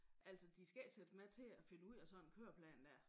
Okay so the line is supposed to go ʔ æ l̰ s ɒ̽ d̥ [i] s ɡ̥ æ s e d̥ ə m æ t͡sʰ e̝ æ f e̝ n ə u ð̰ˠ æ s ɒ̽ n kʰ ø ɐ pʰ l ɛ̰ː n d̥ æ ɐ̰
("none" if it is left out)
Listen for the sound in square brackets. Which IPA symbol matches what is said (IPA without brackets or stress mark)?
i